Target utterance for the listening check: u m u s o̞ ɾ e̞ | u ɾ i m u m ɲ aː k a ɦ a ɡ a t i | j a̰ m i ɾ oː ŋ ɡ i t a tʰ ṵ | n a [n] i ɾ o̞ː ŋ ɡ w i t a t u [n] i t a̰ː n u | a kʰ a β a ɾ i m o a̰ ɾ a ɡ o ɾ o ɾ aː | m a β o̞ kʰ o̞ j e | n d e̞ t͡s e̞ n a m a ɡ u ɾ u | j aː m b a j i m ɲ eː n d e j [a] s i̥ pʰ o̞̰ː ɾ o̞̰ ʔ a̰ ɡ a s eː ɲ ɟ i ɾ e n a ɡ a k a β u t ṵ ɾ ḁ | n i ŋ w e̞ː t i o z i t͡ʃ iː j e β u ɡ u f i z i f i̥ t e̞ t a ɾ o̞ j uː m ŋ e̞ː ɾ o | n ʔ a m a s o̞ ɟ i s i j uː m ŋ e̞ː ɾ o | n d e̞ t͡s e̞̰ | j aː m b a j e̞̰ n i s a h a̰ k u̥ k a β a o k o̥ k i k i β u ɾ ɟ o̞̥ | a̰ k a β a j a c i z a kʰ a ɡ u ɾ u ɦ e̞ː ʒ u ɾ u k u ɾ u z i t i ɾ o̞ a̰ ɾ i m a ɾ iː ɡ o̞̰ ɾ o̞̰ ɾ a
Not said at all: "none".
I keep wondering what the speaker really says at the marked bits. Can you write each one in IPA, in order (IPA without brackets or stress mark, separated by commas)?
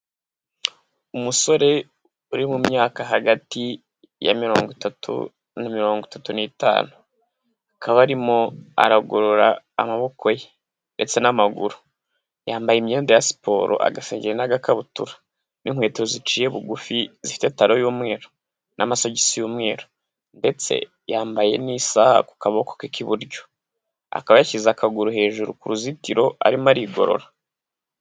m, n, a